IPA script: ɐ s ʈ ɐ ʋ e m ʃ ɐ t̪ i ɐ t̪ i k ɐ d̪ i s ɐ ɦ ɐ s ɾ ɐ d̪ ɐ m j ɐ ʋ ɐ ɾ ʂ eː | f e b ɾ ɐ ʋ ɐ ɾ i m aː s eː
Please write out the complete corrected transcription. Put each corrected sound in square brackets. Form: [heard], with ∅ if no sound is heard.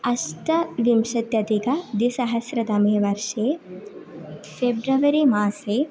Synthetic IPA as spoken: ɐ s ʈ ɐ ʋ [i] m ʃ ɐ t̪ [j] ɐ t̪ i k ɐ d̪ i s ɐ ɦ ɐ s ɾ ɐ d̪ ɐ m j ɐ ʋ ɐ ɾ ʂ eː | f e b ɾ ɐ ʋ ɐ ɾ i m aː s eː